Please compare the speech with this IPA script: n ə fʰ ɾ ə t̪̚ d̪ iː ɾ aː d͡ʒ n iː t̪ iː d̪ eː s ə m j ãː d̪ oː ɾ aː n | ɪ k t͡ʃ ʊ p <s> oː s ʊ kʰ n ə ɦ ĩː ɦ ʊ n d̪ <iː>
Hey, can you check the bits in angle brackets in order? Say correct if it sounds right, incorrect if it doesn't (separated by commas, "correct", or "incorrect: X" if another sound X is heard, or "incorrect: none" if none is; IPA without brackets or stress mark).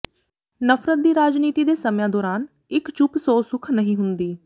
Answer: correct, correct